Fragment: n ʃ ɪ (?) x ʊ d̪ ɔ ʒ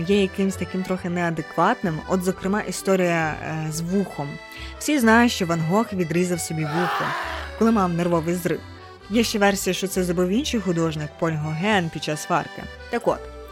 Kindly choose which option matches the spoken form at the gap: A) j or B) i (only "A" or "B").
A